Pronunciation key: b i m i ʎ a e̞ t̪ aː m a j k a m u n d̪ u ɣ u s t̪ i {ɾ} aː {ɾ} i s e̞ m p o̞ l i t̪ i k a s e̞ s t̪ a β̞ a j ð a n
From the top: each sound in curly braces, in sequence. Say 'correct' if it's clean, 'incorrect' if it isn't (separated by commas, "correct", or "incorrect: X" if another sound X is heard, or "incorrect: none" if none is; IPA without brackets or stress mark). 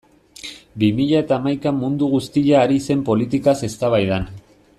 incorrect: ʎ, correct